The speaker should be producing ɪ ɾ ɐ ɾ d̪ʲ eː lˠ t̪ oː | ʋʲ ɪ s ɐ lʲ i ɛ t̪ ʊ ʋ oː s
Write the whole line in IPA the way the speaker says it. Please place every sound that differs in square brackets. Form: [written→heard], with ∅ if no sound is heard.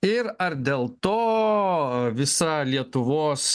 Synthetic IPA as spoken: ɪ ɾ ɐ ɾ d̪ʲ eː lˠ t̪ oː | ʋʲ ɪ s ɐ lʲ i ɛ t̪ ʊ ʋ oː s